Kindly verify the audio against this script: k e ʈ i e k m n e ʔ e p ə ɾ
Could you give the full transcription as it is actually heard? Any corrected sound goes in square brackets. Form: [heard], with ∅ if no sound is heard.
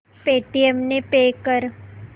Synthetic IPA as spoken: [p] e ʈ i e [∅] m n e [p] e [k] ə ɾ